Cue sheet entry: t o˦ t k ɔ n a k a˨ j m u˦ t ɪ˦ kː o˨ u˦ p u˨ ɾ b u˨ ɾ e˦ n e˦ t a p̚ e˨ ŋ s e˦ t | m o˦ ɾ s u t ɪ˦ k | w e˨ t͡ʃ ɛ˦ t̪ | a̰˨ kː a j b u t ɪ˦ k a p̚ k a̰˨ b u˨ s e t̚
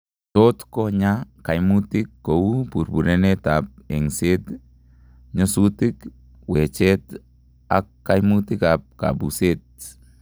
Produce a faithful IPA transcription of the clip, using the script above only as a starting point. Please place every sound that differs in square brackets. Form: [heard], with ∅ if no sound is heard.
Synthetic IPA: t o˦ t k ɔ [ɲ] a k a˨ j m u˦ t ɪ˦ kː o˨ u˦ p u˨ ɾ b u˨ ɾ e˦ n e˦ t a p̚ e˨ ŋ s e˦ t | [ɲ] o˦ [∅] s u t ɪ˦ k | w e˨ t͡ʃ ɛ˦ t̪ | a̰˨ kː a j [m] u t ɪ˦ k a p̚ k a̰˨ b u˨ s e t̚